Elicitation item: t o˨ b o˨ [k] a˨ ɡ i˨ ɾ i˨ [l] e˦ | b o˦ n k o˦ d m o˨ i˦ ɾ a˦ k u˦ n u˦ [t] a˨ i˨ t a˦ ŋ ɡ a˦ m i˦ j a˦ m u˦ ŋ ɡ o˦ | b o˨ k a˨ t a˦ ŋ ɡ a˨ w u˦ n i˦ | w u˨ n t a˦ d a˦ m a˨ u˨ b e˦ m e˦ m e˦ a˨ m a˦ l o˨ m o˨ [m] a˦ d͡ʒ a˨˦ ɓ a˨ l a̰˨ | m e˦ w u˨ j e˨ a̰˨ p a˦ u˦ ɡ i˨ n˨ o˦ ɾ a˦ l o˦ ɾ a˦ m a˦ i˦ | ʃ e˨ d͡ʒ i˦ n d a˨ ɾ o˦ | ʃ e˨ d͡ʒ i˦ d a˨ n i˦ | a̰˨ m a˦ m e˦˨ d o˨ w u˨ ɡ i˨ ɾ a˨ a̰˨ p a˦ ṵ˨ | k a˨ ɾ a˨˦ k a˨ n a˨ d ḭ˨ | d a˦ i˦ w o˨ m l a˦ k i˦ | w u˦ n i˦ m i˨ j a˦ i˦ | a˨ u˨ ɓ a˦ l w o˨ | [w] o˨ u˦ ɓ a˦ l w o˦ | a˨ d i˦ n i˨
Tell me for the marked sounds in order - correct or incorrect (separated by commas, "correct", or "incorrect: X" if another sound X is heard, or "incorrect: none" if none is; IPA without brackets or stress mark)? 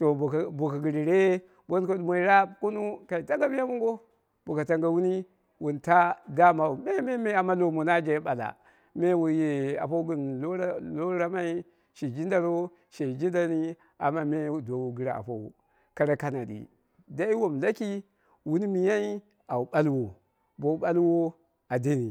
correct, incorrect: ɾ, incorrect: k, incorrect: n, incorrect: b